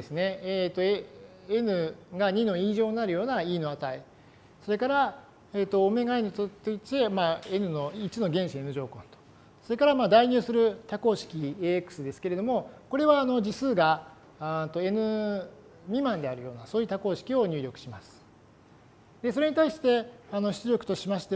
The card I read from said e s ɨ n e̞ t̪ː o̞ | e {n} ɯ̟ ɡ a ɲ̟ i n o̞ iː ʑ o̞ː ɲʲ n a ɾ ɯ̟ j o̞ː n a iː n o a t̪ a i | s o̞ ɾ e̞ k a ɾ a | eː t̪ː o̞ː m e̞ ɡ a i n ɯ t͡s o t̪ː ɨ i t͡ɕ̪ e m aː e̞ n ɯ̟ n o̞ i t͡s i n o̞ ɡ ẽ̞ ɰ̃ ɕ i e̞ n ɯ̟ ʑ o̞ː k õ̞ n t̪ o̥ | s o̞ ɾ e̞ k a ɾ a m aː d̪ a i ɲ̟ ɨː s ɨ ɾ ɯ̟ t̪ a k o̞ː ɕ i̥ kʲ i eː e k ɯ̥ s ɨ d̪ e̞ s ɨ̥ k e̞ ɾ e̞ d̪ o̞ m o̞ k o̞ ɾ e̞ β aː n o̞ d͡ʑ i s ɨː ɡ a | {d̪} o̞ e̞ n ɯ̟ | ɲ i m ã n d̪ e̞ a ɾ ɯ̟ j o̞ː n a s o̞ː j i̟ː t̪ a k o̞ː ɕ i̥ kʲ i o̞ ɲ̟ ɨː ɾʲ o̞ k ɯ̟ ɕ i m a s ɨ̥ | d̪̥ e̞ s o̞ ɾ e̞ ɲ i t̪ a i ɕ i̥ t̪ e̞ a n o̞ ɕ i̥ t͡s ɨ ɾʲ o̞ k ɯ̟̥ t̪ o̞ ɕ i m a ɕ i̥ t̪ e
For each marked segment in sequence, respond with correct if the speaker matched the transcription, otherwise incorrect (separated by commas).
correct, incorrect